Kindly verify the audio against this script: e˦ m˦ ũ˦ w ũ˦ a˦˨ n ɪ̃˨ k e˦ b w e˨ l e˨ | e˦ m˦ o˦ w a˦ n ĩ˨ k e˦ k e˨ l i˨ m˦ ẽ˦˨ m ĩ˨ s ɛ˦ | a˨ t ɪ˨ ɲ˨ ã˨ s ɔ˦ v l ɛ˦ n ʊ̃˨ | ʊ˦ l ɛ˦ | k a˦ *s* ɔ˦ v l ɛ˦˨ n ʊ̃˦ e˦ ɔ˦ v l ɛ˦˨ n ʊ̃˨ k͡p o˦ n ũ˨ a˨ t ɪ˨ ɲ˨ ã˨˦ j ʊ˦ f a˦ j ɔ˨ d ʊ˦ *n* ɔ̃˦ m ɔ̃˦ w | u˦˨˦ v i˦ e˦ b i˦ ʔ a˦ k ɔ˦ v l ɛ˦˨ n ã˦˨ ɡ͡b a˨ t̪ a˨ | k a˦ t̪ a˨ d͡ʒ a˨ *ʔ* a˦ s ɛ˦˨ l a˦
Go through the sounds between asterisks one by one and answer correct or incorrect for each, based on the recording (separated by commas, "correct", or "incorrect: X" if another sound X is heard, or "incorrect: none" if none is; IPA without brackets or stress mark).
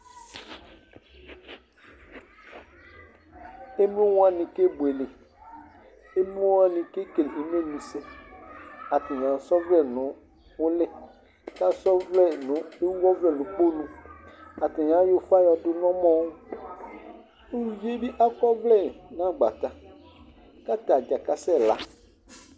correct, correct, incorrect: k